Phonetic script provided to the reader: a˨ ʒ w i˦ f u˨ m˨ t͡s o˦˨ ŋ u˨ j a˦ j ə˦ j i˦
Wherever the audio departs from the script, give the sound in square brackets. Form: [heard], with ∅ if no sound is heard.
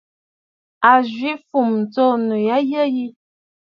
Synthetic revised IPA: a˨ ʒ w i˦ f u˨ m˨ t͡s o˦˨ [n] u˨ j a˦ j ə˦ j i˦